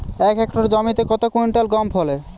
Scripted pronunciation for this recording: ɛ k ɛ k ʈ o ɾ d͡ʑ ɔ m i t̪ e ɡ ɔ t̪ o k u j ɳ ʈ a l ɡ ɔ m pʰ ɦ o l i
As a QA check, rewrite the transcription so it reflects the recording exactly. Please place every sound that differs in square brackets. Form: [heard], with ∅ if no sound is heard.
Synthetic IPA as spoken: ɛ k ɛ k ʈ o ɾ d͡ʑ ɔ m i t̪ e [k] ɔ t̪ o k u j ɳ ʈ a l ɡ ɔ m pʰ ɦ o l [e]